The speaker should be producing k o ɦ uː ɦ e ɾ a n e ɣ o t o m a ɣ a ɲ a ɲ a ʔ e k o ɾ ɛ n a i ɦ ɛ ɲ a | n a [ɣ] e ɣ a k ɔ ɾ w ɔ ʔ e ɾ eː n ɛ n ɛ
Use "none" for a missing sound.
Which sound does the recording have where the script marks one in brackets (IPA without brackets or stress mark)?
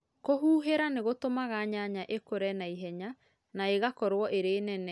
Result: none